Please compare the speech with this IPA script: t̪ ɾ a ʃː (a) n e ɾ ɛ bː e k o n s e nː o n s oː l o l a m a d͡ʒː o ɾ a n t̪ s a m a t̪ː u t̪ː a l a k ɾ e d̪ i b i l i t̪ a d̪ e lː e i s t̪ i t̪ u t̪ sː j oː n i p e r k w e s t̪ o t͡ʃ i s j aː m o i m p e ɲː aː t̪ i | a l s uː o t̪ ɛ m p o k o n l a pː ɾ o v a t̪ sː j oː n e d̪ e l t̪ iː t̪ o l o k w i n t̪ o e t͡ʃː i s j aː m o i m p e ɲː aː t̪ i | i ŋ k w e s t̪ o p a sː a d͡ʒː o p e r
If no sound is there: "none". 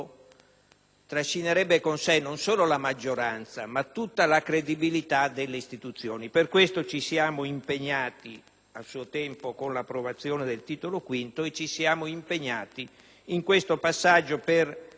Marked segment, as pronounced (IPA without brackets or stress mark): i